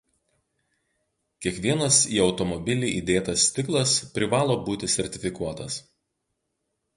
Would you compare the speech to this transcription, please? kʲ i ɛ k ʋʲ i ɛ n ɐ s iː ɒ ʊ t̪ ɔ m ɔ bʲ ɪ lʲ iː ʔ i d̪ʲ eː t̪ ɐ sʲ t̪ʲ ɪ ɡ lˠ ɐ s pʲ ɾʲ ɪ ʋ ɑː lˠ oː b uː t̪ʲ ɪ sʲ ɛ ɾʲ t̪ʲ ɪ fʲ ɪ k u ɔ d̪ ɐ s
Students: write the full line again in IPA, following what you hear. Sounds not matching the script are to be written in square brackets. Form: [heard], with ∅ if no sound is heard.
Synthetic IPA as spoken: kʲ i ɛ k ʋʲ i ɛ n ɐ s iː ɒ ʊ t̪ ɔ m ɔ bʲ ɪ lʲ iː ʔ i d̪ʲ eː t̪ ɐ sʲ t̪ʲ ɪ [k] lˠ ɐ s pʲ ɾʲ ɪ ʋ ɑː lˠ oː b uː t̪ʲ ɪ sʲ ɛ ɾʲ t̪ʲ ɪ fʲ ɪ k u ɔ [t̪] ɐ s